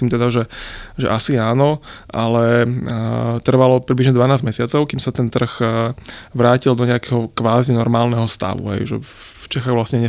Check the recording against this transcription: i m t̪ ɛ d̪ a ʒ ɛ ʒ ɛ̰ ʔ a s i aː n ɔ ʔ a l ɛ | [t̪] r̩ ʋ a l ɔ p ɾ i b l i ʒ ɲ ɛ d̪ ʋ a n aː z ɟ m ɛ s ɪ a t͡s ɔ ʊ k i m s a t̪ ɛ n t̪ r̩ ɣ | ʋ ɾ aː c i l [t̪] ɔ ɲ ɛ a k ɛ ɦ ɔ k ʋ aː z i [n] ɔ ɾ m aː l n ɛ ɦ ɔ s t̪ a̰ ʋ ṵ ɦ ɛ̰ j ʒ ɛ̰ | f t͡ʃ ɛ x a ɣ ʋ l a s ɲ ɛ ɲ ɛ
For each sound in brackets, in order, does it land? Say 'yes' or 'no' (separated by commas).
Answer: yes, no, yes